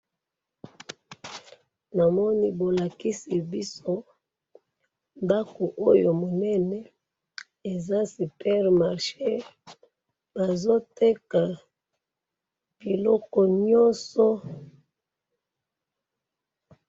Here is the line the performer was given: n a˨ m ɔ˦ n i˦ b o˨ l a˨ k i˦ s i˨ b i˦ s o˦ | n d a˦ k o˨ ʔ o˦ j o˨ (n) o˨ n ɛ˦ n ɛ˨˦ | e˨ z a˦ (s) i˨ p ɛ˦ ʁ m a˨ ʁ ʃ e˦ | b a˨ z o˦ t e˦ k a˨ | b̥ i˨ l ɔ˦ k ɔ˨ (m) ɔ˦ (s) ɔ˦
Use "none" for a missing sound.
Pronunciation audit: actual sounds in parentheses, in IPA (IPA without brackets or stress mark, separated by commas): m, s, ɲ, s